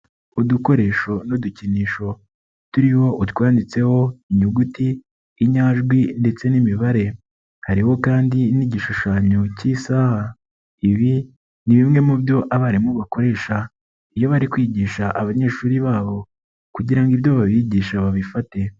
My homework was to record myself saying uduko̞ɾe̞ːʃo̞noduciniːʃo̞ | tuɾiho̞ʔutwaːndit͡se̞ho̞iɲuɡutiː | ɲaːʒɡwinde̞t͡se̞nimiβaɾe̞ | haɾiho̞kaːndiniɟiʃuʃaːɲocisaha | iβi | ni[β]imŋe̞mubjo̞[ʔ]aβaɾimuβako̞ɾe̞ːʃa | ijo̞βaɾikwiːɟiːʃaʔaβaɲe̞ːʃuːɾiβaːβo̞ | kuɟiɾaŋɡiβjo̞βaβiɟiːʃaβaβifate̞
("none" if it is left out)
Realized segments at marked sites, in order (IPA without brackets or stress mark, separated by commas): β, ʔ